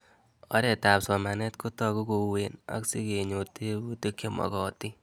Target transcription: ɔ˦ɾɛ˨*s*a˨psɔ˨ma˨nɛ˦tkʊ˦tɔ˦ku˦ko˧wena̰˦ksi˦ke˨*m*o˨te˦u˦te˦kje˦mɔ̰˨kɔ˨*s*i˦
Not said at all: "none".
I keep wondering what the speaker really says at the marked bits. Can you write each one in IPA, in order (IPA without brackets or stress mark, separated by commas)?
t, ɲ, t